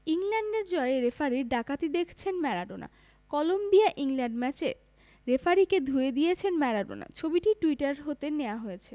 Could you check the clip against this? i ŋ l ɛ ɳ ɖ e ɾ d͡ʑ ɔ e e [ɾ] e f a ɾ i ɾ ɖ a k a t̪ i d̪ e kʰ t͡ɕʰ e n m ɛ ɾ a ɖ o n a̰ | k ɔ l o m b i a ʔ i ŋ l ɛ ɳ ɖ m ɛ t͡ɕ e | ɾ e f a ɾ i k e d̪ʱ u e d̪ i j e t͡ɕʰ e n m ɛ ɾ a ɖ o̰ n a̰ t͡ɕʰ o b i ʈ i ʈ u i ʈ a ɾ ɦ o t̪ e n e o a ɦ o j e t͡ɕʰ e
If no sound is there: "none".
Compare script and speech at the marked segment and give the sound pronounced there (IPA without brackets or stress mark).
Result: ɾ